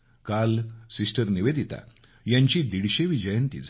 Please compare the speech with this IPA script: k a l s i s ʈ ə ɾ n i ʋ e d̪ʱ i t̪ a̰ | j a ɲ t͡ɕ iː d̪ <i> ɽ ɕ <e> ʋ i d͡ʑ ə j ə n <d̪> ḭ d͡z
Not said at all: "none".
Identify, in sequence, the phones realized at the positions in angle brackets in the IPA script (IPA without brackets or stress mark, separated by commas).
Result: i, e, t̪